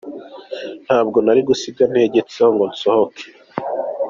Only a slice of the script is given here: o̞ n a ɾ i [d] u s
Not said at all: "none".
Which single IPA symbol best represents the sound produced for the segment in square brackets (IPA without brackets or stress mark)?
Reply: ɡ